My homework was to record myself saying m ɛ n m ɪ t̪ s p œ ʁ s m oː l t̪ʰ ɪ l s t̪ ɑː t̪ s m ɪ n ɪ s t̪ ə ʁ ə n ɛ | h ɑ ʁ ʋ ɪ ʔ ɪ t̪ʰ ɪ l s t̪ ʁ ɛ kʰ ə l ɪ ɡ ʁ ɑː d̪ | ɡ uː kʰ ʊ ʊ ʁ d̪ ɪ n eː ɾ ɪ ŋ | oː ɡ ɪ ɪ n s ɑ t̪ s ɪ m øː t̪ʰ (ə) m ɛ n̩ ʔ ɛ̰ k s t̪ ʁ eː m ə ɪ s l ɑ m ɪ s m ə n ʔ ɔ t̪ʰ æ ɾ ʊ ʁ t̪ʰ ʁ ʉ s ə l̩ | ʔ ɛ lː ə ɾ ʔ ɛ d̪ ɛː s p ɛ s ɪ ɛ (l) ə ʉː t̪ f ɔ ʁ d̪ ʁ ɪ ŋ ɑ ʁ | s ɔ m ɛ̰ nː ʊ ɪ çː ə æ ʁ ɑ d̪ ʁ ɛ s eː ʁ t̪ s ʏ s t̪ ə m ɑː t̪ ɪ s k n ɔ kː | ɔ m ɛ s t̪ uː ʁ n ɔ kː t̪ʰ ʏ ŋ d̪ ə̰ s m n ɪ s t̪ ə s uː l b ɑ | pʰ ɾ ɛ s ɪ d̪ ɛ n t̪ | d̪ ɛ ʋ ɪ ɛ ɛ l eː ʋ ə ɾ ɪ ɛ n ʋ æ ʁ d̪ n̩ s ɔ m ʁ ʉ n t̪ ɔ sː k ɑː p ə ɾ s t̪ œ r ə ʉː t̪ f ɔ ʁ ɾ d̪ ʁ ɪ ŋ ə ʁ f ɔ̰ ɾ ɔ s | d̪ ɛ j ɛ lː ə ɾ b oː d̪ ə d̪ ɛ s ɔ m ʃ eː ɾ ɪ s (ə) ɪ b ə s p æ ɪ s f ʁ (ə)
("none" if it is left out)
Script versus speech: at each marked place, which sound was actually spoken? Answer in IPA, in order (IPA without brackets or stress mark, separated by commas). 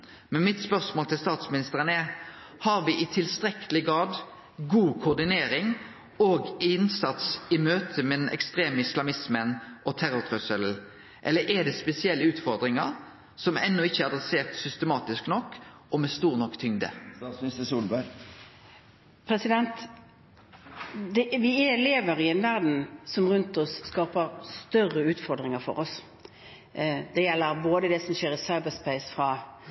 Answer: ə, lː, ɑ, ɑ